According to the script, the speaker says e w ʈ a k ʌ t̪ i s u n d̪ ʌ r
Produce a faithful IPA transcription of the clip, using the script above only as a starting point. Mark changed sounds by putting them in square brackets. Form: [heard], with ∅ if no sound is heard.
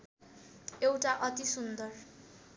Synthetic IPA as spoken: e w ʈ a [ʔ] ʌ t̪ i s u n d̪ ʌ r